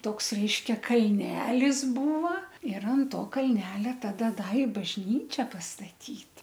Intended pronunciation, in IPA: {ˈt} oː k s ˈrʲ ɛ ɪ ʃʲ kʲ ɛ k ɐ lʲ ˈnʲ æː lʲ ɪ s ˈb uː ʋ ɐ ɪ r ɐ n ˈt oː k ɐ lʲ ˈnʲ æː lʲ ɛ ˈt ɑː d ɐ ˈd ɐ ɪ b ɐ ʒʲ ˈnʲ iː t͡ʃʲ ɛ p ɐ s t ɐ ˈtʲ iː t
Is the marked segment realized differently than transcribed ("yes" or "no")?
no